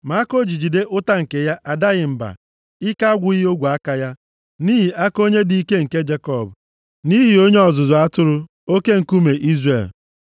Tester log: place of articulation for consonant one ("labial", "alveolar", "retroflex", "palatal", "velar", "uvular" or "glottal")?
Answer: labial